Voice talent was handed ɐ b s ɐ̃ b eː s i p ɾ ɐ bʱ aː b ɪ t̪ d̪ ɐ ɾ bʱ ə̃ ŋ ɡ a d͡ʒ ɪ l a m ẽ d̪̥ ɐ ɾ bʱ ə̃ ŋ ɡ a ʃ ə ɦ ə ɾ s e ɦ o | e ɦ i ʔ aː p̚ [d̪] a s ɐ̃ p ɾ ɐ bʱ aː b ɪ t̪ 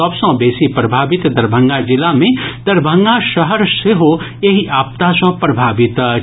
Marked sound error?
yes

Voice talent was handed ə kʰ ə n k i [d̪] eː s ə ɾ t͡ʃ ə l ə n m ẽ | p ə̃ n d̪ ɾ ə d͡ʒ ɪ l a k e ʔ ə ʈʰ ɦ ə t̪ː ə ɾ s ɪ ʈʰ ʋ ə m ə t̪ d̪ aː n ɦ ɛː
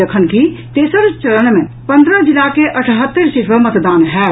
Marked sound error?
yes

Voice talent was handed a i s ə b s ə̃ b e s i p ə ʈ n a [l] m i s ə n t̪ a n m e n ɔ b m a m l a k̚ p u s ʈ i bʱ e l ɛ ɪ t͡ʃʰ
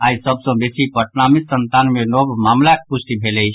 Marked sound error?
yes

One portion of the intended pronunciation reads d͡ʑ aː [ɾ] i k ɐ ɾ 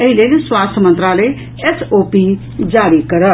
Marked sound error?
no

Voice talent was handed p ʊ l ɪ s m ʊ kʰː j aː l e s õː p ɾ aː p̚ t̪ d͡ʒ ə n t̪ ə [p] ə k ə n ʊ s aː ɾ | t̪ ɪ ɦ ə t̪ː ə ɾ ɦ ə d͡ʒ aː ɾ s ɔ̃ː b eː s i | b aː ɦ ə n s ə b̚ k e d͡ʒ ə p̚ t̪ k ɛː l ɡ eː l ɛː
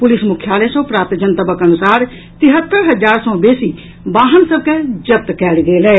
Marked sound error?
yes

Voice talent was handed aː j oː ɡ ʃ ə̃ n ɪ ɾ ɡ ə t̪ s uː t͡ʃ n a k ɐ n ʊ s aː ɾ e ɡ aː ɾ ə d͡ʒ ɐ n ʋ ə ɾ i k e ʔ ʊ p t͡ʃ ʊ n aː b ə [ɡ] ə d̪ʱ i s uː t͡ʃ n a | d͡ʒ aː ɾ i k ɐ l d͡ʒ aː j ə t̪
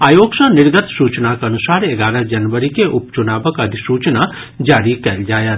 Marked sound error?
yes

